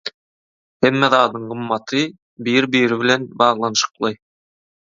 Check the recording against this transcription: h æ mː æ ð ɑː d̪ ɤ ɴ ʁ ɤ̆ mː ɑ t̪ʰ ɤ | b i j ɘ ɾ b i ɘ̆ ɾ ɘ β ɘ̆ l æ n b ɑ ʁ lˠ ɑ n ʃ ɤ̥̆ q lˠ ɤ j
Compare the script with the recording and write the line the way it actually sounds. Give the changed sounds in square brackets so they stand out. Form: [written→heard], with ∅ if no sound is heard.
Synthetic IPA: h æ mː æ ð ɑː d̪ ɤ ɴ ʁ ɤ̆ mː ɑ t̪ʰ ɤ | b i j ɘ ɾ b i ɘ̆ ɾ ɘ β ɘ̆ l æ n b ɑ ʁ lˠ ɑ n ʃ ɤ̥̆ q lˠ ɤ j